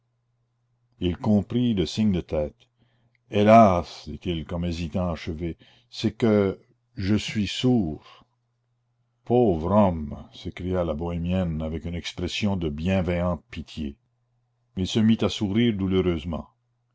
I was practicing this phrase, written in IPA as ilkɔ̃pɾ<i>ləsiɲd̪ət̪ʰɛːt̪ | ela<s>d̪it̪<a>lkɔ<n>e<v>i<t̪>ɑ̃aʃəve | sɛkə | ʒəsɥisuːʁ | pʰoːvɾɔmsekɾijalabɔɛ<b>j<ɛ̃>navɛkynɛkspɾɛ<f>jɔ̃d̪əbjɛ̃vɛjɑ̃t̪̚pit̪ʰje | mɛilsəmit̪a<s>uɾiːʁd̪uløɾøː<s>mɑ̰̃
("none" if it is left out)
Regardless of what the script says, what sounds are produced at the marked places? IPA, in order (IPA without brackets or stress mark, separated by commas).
i, s, i, m, z, t̪, m, ɛ, s, s, z